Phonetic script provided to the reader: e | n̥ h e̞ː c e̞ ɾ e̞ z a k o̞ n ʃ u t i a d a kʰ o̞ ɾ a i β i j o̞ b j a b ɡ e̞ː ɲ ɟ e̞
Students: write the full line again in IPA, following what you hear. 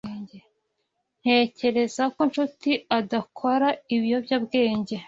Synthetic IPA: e | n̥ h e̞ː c e̞ ɾ e̞ z a k o̞ n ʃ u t i a d a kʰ o̞ ɾ a i β i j o̞ b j a b ɡ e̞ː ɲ ɟ e̞

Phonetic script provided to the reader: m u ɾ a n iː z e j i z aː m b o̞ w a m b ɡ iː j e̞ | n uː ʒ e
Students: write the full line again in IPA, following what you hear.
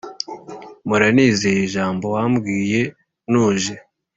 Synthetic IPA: m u ɾ a n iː z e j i ʒ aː m b o̞ w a m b ɡ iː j e̞ | n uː ʒ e

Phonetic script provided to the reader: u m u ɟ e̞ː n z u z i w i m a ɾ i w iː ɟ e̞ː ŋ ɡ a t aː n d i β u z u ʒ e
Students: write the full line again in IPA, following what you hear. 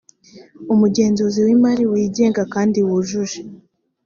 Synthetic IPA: u m u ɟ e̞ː n z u z i w i m a ɾ i w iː ɟ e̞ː ŋ ɡ a k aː n d i w u ʒ u ʒ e

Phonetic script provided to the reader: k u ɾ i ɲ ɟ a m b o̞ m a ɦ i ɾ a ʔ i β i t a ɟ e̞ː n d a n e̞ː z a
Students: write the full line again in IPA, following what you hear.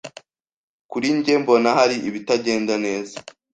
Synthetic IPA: k u ɾ i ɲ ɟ e m b o̞ n a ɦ a ɾ i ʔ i β i t a ɟ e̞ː n d a n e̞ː z a

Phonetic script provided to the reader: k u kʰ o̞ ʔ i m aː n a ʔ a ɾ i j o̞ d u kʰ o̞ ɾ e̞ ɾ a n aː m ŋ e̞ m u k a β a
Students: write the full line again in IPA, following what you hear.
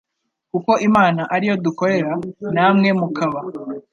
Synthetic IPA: k u k o̞ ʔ i m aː n a ʔ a ɾ i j o̞ d u k o̞ ɾ e̞ ɾ a n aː m ŋ e̞ m u k a β a

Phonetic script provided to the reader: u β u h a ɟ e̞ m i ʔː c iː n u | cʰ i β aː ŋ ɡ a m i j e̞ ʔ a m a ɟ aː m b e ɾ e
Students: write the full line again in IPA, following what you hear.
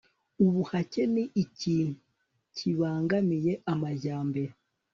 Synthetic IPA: u β u h a c e̞ n i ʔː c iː n u | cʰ i β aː ŋ ɡ a m i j e̞ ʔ a m a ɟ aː m b e ɾ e

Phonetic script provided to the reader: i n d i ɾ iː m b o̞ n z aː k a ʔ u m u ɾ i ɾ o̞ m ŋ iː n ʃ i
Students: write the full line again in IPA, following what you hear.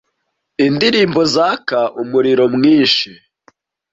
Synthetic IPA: i n d i ɾ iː m b o̞ z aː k a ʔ u m u ɾ i ɾ o̞ m ŋ iː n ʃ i

